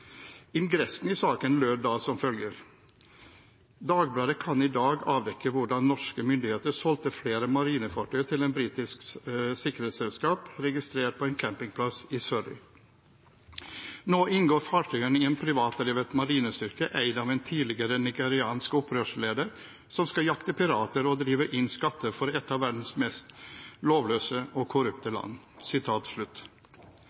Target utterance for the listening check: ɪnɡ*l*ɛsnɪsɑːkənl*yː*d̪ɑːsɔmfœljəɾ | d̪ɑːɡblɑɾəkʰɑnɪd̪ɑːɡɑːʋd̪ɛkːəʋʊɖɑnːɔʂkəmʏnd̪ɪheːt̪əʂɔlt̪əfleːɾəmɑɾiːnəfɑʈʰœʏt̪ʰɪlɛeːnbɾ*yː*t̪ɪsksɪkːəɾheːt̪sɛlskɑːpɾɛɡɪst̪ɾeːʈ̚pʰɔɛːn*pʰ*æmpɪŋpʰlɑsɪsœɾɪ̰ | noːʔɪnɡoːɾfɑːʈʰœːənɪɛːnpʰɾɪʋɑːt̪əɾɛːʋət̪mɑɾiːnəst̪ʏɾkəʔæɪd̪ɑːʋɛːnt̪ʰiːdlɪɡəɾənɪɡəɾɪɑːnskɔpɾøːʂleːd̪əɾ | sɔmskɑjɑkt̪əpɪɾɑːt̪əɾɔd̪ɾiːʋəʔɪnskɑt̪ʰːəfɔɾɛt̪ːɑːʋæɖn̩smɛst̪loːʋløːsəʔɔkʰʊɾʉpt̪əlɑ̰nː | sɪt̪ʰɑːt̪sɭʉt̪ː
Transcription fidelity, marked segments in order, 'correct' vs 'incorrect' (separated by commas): incorrect, incorrect, incorrect, incorrect